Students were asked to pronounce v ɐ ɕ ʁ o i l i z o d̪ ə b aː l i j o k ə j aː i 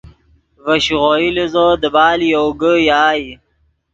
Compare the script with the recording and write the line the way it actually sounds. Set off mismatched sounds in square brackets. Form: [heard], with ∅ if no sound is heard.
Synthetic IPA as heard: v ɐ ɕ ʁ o i l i z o d̪ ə b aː l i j o [ɡ] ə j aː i

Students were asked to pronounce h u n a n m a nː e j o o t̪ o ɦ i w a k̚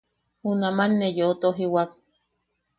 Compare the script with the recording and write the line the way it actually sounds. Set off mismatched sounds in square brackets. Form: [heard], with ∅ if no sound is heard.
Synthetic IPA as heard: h u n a [∅] m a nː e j o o t̪ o ɦ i w a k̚

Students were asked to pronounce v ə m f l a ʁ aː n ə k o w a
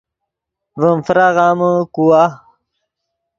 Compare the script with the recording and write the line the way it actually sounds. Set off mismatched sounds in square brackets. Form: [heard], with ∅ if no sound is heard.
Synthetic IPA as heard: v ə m f [ɾ] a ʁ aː [m] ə k [u] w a

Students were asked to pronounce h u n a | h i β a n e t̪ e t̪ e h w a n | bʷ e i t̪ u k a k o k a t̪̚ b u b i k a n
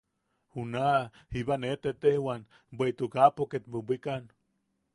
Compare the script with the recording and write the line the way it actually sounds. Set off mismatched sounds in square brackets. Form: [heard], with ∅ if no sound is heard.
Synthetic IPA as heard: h u n a | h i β a n e t̪ e t̪ e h w a n | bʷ e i t̪ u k a [p] o k [e] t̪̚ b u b i k a n

